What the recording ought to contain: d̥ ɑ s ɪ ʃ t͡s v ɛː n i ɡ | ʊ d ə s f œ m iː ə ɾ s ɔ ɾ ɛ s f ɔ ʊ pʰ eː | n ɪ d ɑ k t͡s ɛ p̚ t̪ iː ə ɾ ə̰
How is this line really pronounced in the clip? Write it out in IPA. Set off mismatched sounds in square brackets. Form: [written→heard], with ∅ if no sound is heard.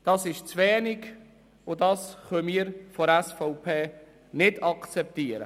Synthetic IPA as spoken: d̥ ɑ s ɪ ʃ t͡s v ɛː n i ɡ | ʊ d [ə→ɑ] s [f→χ] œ m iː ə ɾ [s→f] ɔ ɾ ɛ s f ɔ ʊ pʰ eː | n ɪ d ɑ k t͡s ɛ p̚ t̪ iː ə ɾ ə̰